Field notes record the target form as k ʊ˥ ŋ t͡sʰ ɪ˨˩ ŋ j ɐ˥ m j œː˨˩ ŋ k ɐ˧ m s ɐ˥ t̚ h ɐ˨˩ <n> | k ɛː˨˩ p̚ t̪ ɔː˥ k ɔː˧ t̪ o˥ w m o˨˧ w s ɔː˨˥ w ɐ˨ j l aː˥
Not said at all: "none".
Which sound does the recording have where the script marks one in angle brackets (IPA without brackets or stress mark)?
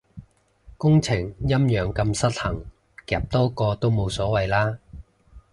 ŋ